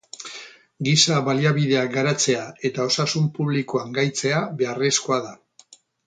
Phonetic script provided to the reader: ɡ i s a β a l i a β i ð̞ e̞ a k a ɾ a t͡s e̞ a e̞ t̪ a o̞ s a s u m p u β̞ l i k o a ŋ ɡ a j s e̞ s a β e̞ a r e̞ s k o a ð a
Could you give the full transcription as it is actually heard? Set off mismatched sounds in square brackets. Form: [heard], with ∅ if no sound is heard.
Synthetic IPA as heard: ɡ i s a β a l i a β i ð̞ e̞ a [ɡ] a ɾ a t͡s e̞ a e̞ t̪ a o̞ s a s u m p u β̞ l i k o a ŋ ɡ a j [t͡s] e̞ [∅] a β e̞ a r e̞ s k o a ð a